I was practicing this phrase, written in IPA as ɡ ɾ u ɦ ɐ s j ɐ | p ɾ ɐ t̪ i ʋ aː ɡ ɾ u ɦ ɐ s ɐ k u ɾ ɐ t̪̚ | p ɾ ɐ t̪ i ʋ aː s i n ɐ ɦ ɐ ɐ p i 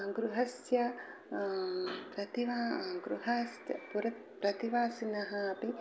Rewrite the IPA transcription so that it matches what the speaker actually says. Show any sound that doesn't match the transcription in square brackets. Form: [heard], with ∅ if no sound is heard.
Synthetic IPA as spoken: ɡ ɾ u ɦ ɐ s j ɐ | p ɾ ɐ t̪ i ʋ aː ɡ ɾ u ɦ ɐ s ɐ [p] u ɾ ɐ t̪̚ | p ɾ ɐ t̪ i ʋ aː s i n ɐ ɦ ɐ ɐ p i

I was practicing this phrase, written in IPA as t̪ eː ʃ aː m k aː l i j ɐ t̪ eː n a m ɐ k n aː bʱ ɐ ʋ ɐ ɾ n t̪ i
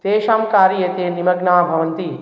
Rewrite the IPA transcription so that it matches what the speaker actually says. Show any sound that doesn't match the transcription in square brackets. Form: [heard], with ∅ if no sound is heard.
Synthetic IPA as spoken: t̪ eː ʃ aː m k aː [ɾ] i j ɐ t̪ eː n [i] m ɐ [ɡ] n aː bʱ ɐ ʋ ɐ [∅] n t̪ i

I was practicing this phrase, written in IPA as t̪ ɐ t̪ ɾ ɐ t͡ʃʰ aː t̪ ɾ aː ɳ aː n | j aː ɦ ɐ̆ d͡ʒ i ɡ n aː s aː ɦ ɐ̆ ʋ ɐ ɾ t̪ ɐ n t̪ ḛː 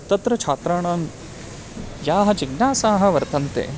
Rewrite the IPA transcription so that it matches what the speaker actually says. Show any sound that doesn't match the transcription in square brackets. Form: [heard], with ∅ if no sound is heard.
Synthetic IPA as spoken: t̪ ɐ t̪ ɾ ɐ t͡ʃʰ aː t̪ ɾ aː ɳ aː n | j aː ɦ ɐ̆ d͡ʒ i ɡ n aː s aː ɦ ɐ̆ ʋ ɐ ɾ t̪ ɐ n t̪ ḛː

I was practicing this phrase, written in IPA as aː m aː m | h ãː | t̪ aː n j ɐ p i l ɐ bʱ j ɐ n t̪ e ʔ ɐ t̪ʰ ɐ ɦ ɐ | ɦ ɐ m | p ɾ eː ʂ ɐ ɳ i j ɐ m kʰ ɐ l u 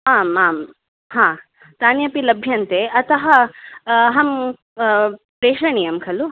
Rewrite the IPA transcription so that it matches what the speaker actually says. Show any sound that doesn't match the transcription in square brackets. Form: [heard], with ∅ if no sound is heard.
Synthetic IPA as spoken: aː m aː m | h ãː | t̪ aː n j ɐ p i l ɐ bʱ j ɐ n t̪ e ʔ ɐ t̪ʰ ɐ ɦ ɐ | ɦ ɐ m | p ɾ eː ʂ ɐ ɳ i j ɐ m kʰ ɐ l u

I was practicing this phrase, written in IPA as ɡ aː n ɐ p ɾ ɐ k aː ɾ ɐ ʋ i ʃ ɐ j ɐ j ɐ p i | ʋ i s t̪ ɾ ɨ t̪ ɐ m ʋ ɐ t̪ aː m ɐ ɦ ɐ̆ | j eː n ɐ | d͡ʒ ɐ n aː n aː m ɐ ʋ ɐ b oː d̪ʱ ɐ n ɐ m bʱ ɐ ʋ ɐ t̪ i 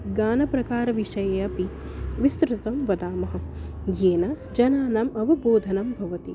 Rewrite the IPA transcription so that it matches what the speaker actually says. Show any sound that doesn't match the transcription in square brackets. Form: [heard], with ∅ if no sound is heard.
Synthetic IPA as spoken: ɡ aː n ɐ p ɾ ɐ k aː ɾ ɐ ʋ i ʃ ɐ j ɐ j ɐ p i | ʋ i s t̪ ɾ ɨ t̪ ɐ m ʋ ɐ [d̪] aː m ɐ ɦ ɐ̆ | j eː n ɐ | d͡ʒ ɐ n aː n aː m ɐ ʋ ɐ b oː d̪ʱ ɐ n ɐ m bʱ ɐ ʋ ɐ t̪ i

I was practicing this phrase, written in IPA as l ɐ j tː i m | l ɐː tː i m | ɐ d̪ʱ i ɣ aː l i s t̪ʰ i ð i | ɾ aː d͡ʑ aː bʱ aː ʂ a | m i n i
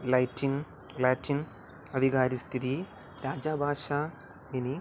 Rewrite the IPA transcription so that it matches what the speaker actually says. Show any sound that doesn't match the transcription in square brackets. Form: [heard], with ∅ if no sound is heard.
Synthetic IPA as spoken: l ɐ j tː i [n] | l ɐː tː i [n] | ɐ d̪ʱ i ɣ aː [ɾ] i s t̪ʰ i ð i | ɾ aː d͡ʑ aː bʱ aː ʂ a | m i n i

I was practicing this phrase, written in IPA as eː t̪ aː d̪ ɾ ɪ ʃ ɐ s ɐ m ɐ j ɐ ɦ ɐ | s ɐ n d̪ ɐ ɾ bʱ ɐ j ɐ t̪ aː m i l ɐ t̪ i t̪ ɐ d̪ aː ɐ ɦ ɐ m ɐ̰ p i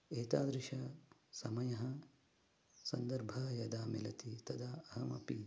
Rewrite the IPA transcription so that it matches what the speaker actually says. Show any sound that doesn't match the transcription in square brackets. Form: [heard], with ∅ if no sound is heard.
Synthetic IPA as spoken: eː t̪ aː d̪ ɾ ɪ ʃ ɐ s ɐ m ɐ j ɐ ɦ ɐ | s ɐ n d̪ ɐ ɾ bʱ ɐ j ɐ [d̪] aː m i l ɐ t̪ i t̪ ɐ d̪ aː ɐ ɦ ɐ m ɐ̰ p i

